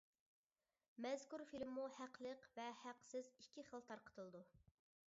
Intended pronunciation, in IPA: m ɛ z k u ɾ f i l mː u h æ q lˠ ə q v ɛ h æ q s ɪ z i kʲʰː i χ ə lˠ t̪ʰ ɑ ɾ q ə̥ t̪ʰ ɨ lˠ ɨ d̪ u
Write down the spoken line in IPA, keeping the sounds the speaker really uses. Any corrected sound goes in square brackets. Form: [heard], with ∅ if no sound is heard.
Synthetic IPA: m ɛ z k u ɾ f i l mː u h æ q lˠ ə q v ɛ h æ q s ɪ z i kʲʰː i χ ə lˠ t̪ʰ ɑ ɾ q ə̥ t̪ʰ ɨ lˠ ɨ d̪ u